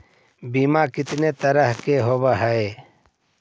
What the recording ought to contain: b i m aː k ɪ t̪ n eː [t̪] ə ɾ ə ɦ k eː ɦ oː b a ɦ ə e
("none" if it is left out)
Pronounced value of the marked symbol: t̪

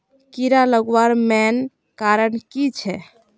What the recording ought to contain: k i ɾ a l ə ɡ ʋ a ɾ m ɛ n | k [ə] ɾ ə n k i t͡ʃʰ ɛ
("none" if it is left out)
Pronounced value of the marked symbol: a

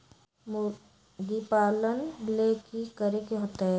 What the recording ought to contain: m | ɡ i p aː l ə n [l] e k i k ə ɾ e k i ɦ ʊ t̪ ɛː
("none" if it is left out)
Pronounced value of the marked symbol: l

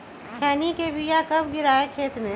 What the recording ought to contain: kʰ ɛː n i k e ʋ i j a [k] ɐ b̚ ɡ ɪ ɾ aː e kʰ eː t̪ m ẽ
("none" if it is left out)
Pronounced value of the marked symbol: k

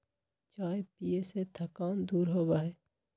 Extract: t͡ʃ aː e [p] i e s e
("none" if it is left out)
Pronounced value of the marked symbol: p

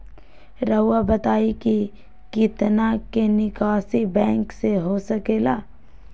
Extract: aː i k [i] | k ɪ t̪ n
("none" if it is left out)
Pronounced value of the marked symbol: i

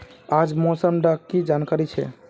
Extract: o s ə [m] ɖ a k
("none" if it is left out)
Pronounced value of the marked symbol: m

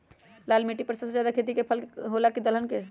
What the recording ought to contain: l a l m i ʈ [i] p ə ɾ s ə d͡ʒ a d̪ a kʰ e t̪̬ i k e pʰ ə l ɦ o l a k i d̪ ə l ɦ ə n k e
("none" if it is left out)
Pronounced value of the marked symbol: i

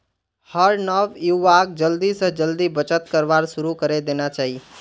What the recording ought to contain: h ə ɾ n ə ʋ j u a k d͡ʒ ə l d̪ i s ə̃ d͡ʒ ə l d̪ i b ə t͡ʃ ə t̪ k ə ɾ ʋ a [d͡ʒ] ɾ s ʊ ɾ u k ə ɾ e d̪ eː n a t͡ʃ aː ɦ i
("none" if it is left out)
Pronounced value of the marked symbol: none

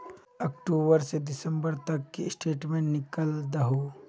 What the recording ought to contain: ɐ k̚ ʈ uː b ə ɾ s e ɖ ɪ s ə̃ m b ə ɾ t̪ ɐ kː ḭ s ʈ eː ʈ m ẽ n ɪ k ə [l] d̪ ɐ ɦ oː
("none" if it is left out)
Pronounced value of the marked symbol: l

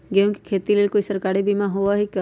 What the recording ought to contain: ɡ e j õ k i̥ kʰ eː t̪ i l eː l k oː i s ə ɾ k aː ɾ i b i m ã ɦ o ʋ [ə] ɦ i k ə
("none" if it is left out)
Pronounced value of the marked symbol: a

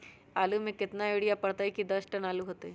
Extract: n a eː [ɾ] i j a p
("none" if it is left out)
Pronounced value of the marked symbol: ɽ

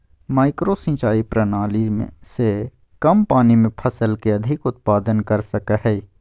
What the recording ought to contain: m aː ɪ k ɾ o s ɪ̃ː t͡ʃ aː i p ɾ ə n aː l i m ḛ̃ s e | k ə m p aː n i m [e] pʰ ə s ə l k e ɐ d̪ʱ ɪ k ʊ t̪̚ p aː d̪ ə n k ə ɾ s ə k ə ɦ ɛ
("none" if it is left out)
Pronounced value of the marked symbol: ẽ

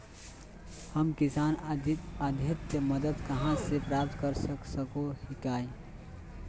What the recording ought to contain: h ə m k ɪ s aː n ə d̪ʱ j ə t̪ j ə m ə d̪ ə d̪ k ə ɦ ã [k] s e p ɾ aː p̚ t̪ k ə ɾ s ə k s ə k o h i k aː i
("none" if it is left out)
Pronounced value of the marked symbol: none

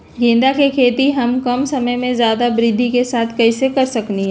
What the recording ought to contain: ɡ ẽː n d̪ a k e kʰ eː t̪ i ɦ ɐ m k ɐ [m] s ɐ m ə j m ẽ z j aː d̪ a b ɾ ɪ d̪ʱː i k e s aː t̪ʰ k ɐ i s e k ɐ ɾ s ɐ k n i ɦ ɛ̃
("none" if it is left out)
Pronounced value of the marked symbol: m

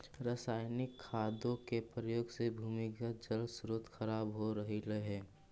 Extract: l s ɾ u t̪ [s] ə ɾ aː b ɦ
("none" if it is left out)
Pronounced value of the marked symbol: x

